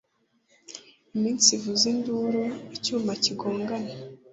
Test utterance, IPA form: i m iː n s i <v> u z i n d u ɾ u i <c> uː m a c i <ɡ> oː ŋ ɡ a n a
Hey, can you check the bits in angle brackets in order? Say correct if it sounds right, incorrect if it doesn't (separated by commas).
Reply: correct, correct, correct